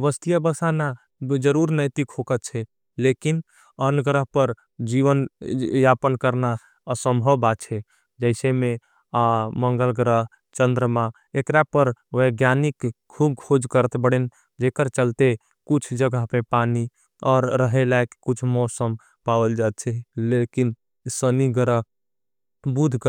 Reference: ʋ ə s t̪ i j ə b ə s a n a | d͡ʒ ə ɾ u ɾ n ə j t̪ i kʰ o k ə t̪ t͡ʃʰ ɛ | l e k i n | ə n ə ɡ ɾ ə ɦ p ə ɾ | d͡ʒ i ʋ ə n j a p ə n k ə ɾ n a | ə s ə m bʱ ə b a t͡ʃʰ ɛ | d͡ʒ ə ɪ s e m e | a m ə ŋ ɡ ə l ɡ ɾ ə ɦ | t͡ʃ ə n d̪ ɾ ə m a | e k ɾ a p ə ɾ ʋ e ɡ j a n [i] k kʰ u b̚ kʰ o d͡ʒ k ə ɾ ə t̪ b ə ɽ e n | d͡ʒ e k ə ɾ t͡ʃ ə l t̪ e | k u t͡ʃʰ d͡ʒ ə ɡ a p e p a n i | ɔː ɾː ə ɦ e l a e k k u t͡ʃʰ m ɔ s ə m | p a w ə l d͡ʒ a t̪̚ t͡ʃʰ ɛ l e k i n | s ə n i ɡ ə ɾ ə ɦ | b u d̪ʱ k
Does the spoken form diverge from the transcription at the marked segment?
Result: no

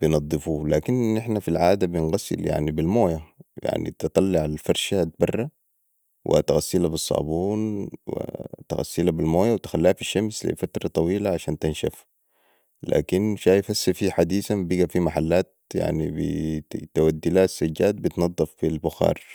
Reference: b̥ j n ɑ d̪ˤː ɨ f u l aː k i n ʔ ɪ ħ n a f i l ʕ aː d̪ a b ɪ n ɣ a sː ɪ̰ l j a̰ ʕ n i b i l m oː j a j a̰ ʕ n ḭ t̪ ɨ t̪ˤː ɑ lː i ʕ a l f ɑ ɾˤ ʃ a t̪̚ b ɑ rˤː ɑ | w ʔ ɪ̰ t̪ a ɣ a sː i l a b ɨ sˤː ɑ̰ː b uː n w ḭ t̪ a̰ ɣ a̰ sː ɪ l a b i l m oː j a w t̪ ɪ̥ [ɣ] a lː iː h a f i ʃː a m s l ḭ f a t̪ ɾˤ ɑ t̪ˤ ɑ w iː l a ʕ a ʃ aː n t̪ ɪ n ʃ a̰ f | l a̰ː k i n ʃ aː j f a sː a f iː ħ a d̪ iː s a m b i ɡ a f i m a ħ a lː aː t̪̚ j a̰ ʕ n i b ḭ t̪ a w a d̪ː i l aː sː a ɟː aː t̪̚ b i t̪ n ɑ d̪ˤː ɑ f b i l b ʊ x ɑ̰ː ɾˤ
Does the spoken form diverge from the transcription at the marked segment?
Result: yes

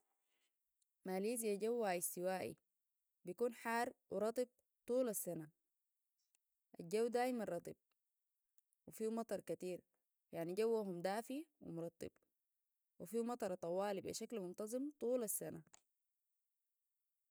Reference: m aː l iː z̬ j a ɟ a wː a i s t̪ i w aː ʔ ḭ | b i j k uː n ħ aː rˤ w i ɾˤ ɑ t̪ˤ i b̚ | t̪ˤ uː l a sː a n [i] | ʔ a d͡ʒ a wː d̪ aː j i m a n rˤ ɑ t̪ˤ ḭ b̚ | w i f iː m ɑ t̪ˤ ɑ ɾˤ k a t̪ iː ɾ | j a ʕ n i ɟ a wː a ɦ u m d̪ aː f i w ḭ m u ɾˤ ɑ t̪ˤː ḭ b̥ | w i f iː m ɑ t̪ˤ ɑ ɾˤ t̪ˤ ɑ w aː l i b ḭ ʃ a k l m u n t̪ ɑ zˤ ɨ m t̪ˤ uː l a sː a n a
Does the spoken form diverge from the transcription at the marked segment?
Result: yes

